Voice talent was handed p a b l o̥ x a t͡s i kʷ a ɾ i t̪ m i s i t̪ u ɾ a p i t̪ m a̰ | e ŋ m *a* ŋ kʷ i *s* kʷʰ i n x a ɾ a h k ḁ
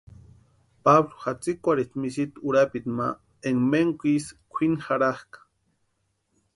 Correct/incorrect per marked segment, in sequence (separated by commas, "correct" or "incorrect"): incorrect, correct